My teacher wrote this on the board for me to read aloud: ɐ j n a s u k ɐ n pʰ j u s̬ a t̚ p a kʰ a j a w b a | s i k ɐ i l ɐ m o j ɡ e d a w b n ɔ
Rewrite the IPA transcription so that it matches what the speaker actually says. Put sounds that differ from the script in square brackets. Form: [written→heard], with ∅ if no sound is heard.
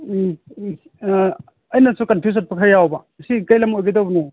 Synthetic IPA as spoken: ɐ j n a s u k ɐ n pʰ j u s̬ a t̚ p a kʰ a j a w b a | s i k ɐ [i→j] l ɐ m o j ɡ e d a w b n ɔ

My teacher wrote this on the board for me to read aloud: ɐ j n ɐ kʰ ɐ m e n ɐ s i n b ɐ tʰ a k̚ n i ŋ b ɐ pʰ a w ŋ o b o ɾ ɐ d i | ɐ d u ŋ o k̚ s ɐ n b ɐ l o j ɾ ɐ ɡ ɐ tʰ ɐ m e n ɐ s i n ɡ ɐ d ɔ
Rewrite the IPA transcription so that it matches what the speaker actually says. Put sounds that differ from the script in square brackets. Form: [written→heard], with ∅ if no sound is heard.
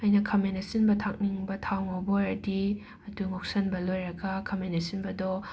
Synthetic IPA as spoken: ɐ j n ɐ kʰ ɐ m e n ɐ s i n b ɐ tʰ a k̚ n i ŋ b ɐ [pʰ→tʰ] a w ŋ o b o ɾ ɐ d i | ɐ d u ŋ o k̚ s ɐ n b ɐ l o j ɾ ɐ ɡ ɐ [tʰ→kʰ] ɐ m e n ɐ s i n [ɡ→b] ɐ d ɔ

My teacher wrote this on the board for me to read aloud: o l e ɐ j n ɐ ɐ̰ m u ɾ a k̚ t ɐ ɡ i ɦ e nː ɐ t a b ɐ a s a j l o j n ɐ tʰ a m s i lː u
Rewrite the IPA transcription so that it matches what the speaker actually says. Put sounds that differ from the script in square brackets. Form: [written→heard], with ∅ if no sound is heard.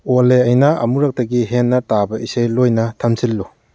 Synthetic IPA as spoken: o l e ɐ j n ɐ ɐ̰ m u ɾ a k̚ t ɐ ɡ i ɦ e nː ɐ t a b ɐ [a→i] s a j l o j n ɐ tʰ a m s i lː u

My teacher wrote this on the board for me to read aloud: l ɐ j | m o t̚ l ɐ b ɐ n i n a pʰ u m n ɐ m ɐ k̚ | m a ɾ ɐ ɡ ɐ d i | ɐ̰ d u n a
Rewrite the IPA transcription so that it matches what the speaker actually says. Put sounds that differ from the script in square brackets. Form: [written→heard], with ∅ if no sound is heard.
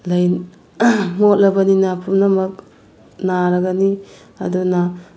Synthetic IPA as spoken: l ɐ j | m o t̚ l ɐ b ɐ n i n a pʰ u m n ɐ m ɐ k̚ | [m→n] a ɾ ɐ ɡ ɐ [d→n] i | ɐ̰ d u n a

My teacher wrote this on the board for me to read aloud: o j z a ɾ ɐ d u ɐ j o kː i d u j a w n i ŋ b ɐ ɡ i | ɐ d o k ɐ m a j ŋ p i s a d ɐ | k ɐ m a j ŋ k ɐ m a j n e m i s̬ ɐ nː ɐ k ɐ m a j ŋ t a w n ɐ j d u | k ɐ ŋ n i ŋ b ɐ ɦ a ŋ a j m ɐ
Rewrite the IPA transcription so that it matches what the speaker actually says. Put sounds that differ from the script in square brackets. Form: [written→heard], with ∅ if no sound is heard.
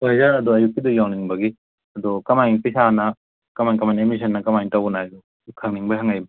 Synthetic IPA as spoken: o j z a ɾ ɐ d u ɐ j [o→u] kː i d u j a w n i ŋ b ɐ ɡ i | ɐ d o k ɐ m a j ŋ p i s a [d→n] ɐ | k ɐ m a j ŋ k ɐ m a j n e m i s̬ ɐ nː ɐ k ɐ m a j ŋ t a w n [ɐ→a] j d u | [k→kʰ] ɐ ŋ n i ŋ b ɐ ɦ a ŋ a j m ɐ

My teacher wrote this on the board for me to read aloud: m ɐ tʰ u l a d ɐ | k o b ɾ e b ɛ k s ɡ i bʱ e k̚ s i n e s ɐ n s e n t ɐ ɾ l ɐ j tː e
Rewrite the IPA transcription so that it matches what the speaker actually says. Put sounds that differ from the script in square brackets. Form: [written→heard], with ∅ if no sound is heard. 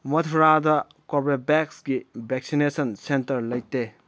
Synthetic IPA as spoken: m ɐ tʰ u [l→ɾ] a d ɐ | k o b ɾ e b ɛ k s ɡ i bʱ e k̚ s i n e s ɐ n s e n t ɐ ɾ l ɐ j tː e

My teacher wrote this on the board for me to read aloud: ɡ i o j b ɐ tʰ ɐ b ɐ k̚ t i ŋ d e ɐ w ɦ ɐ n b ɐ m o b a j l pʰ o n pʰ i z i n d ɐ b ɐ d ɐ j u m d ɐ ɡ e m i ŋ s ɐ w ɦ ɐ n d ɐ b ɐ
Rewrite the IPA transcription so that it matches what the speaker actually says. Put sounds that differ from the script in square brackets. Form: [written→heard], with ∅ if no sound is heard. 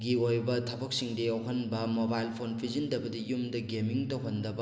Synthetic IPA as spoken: ɡ i o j b ɐ tʰ ɐ b ɐ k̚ [t→s] i ŋ d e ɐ w ɦ ɐ n b ɐ m o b a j l pʰ o n pʰ i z i n d ɐ b ɐ d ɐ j u m d ɐ ɡ e m i ŋ [s→t] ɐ w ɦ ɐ n d ɐ b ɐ

